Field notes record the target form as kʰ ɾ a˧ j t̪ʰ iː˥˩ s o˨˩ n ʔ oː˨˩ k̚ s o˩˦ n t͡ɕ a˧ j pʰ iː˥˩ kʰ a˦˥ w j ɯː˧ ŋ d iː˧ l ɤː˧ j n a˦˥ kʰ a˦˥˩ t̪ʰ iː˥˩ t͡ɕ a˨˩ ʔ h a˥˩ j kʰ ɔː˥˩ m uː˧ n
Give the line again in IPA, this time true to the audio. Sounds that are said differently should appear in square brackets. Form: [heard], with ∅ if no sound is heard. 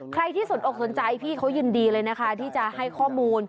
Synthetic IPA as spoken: kʰ ɾ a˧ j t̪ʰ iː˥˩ s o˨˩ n ʔ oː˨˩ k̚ s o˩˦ n t͡ɕ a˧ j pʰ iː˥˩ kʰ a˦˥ w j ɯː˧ [n] d iː˧ l ɤː˧ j n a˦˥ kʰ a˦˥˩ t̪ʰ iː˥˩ t͡ɕ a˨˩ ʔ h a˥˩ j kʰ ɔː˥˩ m uː˧ n